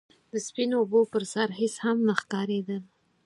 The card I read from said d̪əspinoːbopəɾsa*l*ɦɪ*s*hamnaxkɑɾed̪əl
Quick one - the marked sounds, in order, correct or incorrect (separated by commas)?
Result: incorrect, correct